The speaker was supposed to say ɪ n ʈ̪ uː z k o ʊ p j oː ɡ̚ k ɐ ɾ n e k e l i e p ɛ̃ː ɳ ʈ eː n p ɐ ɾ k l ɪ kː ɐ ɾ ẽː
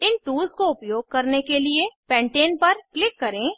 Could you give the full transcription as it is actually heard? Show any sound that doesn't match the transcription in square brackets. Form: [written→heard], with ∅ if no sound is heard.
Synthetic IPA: ɪ n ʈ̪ uː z k o ʊ p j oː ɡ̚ k ɐ ɾ n e k e l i e p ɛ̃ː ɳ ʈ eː n p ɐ ɾ k l ɪ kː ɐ ɾ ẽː